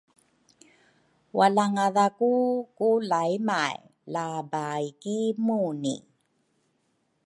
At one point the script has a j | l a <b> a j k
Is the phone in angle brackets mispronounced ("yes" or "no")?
no